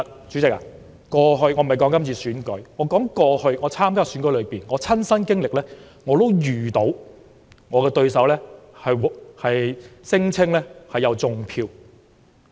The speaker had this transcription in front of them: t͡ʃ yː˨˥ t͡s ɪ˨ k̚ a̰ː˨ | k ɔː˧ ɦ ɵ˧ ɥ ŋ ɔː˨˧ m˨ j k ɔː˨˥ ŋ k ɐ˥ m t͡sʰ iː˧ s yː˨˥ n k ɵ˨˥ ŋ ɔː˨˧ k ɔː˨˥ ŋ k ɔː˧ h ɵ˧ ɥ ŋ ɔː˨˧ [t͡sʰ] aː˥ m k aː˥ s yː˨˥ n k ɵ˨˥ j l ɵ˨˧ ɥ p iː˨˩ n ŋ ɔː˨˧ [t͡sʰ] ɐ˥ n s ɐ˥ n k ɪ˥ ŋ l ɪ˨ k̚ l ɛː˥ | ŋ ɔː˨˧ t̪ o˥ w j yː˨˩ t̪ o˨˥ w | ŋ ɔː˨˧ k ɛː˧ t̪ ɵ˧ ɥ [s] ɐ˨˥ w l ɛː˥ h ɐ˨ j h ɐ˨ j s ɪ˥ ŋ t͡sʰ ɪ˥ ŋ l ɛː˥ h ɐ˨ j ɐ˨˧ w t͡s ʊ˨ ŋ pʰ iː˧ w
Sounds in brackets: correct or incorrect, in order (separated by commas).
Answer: correct, correct, correct